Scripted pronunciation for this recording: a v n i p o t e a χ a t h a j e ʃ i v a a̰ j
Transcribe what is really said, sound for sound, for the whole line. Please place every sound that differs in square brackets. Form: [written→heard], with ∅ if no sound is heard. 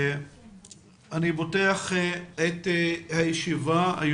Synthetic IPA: a [v→∅] n i [p→b] o t e a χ [a→e] t h a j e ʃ i v a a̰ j